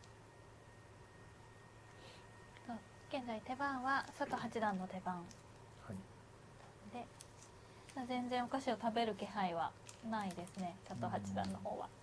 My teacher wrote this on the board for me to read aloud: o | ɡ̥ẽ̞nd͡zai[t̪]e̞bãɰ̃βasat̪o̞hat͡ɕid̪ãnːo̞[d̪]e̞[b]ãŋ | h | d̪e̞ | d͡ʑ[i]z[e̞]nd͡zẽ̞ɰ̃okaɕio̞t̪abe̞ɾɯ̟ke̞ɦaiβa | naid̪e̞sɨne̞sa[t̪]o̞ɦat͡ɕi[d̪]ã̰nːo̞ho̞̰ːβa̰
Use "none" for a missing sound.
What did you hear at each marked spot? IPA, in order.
t̪, t̪, b, a, ẽ̞, t̪, d̪

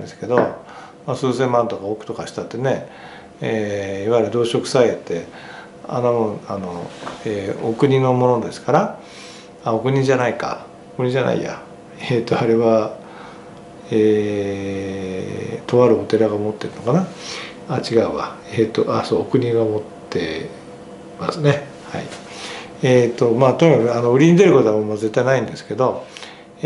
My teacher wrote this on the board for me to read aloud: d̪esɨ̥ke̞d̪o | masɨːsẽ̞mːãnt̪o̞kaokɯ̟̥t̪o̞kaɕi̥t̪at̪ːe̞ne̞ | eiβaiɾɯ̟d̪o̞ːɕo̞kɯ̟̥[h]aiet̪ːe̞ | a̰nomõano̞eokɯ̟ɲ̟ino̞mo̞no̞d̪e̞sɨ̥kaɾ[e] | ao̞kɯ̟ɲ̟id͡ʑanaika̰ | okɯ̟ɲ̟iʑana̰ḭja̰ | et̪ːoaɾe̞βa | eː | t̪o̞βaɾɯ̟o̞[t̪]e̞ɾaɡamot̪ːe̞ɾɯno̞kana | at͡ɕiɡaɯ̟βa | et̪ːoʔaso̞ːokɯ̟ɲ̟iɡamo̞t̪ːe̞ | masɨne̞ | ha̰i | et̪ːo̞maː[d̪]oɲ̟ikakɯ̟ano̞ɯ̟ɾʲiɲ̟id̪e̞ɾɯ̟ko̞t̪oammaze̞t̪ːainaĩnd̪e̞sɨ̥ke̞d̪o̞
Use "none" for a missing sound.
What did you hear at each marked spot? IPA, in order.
s, a, t̪, t̪

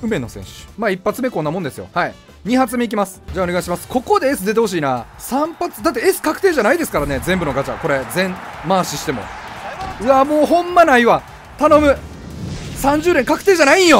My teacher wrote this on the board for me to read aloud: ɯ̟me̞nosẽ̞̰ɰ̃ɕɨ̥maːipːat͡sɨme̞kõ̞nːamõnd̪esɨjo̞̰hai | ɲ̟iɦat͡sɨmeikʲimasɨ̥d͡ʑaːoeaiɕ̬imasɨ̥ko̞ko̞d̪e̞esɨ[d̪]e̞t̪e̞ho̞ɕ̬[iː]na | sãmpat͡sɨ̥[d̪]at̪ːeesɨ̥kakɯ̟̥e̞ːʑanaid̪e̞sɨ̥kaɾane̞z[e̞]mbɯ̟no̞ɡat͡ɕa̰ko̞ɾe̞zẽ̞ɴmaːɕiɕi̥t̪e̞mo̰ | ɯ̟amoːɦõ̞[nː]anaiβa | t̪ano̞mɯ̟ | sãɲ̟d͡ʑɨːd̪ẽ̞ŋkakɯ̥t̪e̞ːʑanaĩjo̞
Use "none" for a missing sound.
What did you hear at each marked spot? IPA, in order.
d̪, iː, d̪, ẽ̞, mː

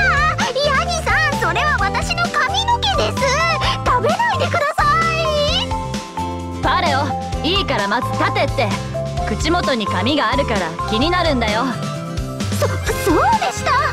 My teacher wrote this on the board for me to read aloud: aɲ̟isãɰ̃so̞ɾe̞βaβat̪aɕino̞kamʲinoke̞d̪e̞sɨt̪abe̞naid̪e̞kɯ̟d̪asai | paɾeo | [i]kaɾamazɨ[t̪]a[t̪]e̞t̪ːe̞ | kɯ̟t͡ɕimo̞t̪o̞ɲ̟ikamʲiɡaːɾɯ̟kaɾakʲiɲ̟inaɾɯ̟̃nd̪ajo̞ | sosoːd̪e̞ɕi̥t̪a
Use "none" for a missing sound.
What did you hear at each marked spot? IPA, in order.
iː, t̪, t̪

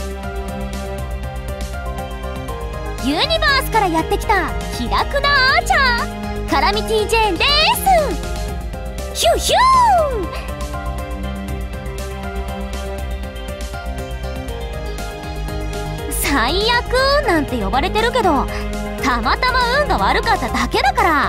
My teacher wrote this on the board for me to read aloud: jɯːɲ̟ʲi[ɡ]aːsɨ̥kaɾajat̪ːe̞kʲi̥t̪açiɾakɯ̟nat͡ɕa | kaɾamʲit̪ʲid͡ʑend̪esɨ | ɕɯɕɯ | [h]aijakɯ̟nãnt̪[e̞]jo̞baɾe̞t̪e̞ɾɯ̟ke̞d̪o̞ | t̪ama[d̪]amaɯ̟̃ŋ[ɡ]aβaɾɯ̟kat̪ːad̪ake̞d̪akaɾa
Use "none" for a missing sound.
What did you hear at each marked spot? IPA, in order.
b, s, e̞, t̪, ɡ

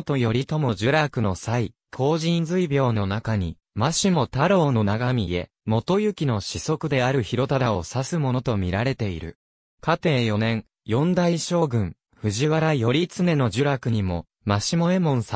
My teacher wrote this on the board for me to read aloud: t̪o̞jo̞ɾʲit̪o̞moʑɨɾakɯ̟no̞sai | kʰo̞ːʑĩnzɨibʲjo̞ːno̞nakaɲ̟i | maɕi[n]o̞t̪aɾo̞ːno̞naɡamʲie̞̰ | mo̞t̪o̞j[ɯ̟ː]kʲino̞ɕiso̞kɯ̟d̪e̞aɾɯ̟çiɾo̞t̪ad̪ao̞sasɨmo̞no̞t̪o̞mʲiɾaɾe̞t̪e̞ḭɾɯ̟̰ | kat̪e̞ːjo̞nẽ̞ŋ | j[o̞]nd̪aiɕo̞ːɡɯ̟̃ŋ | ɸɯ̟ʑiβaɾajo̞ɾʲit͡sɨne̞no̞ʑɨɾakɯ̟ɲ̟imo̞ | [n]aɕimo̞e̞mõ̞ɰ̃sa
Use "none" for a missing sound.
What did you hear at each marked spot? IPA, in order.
m, ɯ̟, õ̞, m

